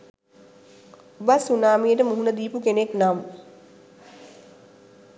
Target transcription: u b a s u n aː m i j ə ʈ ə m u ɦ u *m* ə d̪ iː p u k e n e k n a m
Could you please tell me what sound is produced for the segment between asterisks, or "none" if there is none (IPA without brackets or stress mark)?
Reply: n